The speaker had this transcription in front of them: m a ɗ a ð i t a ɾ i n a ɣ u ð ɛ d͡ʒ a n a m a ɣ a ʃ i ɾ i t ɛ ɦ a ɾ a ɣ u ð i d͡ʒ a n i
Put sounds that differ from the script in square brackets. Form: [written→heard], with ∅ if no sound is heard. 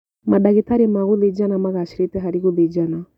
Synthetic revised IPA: m a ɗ a [ð→ɣ] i t a ɾ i [n→m] a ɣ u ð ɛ d͡ʒ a n a m a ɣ a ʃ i ɾ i t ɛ ɦ a ɾ [a→i] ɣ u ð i d͡ʒ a n [i→a]